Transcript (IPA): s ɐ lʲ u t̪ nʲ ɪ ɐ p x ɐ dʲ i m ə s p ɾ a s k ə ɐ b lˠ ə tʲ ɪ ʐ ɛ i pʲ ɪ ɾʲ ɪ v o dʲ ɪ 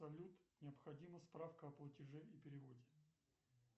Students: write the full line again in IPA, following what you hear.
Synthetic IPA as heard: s ɐ lʲ u t̪ nʲ ɪ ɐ p x ɐ dʲ i m ə s p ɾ a f k ə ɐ p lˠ ə tʲ ɪ ʐ ɛ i pʲ ɪ ɾʲ ɪ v o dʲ ɪ

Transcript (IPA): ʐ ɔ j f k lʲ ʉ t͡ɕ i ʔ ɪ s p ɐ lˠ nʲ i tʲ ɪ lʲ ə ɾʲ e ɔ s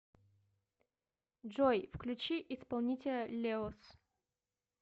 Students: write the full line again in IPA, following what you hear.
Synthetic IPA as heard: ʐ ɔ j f k lʲ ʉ t͡ɕ i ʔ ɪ s p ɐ lˠ nʲ i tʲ ɪ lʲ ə lʲ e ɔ s

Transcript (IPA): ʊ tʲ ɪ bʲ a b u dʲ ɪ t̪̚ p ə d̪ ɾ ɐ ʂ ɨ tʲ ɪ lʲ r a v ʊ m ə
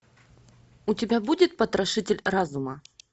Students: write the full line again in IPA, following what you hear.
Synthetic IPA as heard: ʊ tʲ ɪ bʲ a b u dʲ ɪ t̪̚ p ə t̪ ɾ ɐ ʂ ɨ tʲ ɪ lʲ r a z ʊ m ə

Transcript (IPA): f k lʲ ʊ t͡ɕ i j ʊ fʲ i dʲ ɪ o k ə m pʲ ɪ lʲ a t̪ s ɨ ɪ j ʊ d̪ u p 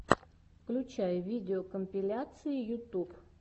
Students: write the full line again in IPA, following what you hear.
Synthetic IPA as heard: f k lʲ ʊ t͡ɕ a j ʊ vʲ i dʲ ɪ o k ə m pʲ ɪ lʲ a t̪ s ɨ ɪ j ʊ t̪ u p

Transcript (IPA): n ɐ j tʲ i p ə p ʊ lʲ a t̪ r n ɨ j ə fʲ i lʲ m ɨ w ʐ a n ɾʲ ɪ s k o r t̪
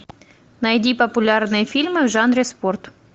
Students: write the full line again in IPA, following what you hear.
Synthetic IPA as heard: n ɐ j dʲ i p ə p ʊ lʲ a r n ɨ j ə fʲ i lʲ m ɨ v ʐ a n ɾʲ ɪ s p o r t̪

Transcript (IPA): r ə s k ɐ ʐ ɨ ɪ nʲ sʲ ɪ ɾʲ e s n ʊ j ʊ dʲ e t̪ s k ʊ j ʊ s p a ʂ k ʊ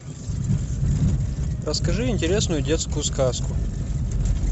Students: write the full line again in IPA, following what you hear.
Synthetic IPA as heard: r ə s k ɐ ʐ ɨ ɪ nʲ tʲ ɪ ɾʲ e s n ʊ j ʊ dʲ e t̪ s k ʊ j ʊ s k a s k ʊ

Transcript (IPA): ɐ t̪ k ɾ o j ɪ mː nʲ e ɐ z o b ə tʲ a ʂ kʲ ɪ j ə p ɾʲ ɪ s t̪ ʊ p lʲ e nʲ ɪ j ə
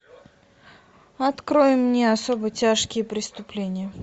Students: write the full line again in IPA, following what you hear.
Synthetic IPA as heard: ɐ t̪ k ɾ o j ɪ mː nʲ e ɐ s o b ə tʲ a ʂ kʲ ɪ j ə p ɾʲ ɪ s t̪ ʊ p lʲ e nʲ ɪ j ə

